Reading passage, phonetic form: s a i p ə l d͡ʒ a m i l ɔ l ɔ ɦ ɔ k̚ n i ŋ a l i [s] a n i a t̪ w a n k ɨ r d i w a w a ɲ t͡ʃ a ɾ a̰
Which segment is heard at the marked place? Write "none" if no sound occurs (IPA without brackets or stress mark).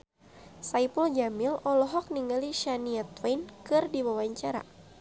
ʃ